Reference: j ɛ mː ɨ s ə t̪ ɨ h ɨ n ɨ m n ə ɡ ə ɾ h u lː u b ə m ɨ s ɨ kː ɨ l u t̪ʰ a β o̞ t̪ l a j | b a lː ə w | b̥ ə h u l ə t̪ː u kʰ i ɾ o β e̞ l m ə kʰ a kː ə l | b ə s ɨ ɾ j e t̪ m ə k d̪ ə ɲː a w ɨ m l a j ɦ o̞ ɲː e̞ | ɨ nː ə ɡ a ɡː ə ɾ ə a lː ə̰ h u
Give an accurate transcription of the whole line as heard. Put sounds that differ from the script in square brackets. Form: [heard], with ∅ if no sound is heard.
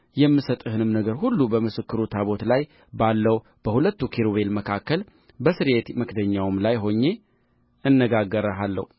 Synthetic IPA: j ɛ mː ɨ s ə [t̪ʼ] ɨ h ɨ n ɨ m n ə ɡ ə ɾ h u lː u b ə m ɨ s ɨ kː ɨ [ɾ] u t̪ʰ a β o̞ t̪ l a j | b a lː ə w | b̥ ə h u l ə t̪ː u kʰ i ɾ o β e̞ l m ə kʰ a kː ə l | b ə s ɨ ɾ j e t̪ m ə k d̪ ə ɲː a w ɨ m l a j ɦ o̞ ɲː e̞ | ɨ nː ə ɡ a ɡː ə ɾ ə a lː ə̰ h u